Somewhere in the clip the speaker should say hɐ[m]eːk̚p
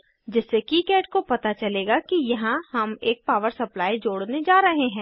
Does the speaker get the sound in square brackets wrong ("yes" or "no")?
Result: no